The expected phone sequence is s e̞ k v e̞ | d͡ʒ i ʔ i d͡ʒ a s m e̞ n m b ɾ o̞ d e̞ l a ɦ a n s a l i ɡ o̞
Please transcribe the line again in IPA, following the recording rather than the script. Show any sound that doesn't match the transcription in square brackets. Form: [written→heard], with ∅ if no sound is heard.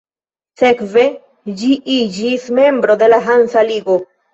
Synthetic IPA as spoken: s e̞ k v e̞ | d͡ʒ i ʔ i d͡ʒ [a→i] s m e̞ [n→∅] m b ɾ o̞ d e̞ l a ɦ a n s a l i ɡ o̞